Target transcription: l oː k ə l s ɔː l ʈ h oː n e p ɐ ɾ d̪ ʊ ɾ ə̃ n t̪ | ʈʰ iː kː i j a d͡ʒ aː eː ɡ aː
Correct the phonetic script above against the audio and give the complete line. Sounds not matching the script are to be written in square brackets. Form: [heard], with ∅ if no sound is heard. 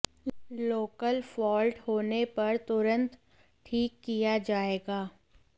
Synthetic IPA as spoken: l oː k ə l [f] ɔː l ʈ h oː n e p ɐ ɾ [t̪] ʊ ɾ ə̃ n t̪ | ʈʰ iː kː i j a d͡ʒ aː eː ɡ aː

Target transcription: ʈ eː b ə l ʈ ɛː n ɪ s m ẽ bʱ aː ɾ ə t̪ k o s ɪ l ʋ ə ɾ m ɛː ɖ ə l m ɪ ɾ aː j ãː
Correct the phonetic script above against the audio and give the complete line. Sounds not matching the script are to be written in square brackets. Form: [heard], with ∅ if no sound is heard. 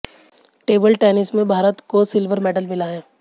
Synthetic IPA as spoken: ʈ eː b ə l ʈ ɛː n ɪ s m ẽ bʱ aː ɾ ə t̪ k o s ɪ l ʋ ə ɾ m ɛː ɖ ə l m ɪ [l] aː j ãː

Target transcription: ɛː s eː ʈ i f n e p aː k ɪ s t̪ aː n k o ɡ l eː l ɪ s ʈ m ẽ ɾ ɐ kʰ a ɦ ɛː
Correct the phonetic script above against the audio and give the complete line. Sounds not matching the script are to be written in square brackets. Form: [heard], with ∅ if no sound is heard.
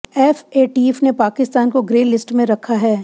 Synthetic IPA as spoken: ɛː [f] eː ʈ i f n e p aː k ɪ s t̪ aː n k o ɡ [ɾ] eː l ɪ s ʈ m ẽ ɾ ɐ kʰ a ɦ ɛː

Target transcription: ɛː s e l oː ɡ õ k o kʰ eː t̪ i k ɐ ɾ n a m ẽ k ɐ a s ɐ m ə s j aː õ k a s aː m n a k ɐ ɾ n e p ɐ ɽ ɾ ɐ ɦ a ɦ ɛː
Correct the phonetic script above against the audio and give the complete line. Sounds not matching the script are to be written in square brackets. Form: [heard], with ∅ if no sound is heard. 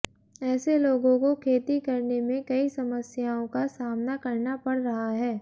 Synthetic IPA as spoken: ɛː s e l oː ɡ õ k o kʰ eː t̪ i k ɐ ɾ n [e] m ẽ k ɐ [i] s ɐ m ə s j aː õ k a s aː m n a k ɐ ɾ n [a] p ɐ ɽ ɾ ɐ ɦ a ɦ ɛː

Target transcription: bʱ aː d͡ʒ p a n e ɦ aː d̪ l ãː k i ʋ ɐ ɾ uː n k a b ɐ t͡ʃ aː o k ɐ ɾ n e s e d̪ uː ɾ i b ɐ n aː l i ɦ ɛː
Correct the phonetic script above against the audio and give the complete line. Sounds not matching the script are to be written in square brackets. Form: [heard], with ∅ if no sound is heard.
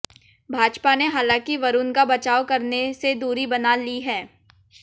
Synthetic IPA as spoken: bʱ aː d͡ʒ p a n e ɦ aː [∅] l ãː k i ʋ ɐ ɾ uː n k a b ɐ t͡ʃ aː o k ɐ ɾ n e s e d̪ uː ɾ i b ɐ n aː l i ɦ ɛː

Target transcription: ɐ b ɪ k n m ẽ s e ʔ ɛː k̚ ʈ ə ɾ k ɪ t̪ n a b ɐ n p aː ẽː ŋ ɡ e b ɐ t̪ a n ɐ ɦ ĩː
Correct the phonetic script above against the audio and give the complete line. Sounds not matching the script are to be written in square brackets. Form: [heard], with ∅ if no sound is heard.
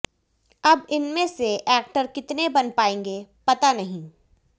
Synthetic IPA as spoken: ɐ b ɪ [∅] n m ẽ s e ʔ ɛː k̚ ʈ ə ɾ k ɪ t̪ n [e] b ɐ n p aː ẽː ŋ ɡ e [p] ɐ t̪ a n ɐ ɦ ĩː

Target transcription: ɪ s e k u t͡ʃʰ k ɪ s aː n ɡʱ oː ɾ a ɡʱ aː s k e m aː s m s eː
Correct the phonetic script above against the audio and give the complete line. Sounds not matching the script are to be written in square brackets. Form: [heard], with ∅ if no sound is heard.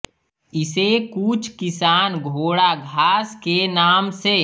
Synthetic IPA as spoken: ɪ s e k u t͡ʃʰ k ɪ s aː n ɡʱ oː [ɽ] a ɡʱ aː s k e [n] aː [∅] m s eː

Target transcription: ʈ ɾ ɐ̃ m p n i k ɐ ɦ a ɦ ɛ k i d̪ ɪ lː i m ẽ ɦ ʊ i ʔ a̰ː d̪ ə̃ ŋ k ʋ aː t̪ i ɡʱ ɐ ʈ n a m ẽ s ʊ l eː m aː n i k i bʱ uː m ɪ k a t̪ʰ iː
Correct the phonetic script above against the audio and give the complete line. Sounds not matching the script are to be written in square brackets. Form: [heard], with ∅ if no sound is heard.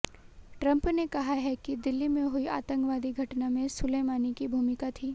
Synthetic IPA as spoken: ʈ ɾ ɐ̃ m p n [e] k ɐ ɦ a ɦ ɛ k i d̪ ɪ lː i m ẽ ɦ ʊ i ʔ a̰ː [t̪] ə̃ ŋ k ʋ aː [d̪] i ɡʱ ɐ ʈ n a m ẽ s ʊ l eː m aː n i k i bʱ uː m ɪ k a t̪ʰ iː

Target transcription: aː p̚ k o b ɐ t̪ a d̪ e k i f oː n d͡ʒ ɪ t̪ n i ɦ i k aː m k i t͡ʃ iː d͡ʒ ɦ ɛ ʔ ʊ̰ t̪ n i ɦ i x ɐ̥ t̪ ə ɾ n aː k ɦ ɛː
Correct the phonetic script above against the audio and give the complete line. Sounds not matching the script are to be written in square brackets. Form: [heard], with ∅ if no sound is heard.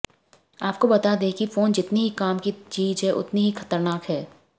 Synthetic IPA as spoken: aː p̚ k o b ɐ t̪ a d̪ e k i f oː n d͡ʒ ɪ t̪ n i ɦ i k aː m k i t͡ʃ iː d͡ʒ ɦ ɛ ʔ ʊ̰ t̪ n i ɦ i x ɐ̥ t̪ ə ɾ n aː k ɦ ɛː

